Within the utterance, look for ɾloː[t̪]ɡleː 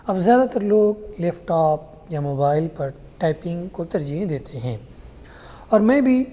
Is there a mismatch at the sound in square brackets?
yes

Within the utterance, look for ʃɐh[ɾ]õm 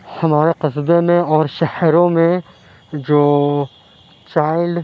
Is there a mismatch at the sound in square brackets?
no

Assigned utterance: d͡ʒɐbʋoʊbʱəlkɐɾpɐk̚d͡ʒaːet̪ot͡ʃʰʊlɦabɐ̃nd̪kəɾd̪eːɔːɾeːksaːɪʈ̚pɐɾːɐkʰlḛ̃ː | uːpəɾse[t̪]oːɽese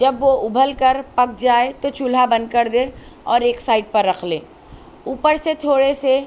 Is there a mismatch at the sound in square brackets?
yes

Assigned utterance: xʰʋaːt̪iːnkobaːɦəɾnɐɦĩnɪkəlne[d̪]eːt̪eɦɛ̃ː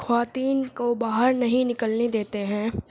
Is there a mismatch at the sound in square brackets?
no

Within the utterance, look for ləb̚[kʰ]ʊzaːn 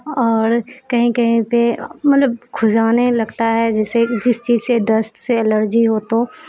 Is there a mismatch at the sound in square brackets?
no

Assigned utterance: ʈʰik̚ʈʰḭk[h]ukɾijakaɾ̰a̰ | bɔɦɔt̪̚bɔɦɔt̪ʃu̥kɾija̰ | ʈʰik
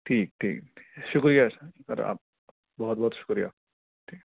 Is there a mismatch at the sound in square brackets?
yes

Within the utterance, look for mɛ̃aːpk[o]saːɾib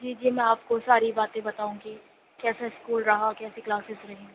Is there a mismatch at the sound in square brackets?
no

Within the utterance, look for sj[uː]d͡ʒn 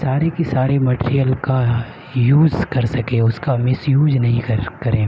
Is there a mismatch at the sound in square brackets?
no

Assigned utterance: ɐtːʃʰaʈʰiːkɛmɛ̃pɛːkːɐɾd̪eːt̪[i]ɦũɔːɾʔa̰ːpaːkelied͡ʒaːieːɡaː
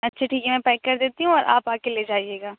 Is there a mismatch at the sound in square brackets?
no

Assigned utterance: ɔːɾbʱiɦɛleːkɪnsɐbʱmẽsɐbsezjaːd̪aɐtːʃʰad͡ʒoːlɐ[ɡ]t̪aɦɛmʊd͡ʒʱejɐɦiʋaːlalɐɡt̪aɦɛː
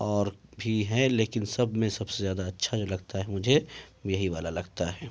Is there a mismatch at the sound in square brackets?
no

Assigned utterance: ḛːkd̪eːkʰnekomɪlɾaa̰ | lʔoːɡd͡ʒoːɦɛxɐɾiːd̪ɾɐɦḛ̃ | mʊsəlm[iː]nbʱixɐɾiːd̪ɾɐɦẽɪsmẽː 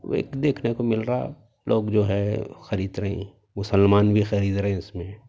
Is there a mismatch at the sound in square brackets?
yes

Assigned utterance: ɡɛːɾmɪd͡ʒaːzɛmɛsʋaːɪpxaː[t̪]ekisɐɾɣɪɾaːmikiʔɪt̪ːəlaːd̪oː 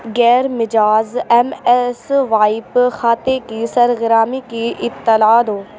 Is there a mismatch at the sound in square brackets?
no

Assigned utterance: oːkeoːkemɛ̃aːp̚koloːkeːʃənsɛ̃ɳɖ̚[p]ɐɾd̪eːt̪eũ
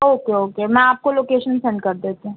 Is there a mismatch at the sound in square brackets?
yes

